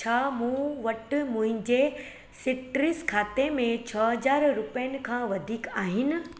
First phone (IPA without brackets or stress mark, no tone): t͡ɕʰ